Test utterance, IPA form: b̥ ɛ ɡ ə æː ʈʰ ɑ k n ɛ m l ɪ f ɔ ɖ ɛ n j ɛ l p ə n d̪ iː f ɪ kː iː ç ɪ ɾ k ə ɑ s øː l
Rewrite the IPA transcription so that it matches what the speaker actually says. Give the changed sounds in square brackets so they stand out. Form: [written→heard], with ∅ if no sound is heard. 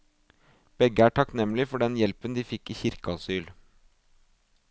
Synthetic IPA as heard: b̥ ɛ ɡ ə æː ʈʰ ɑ k n ɛ m l ɪ f ɔ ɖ ɛ n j ɛ l p ə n d̪ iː f ɪ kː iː ç ɪ ɾ k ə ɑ s [øː→yː] l